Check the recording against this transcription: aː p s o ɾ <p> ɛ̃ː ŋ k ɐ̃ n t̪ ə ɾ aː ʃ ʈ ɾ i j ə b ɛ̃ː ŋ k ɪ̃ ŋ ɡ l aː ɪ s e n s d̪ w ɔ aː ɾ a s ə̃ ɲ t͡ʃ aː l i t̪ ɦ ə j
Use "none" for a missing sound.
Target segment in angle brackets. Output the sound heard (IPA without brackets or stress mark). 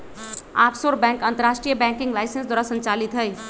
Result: b